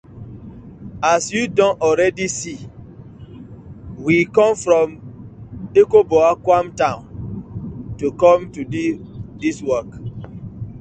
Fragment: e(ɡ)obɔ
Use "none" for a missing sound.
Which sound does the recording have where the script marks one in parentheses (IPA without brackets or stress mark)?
k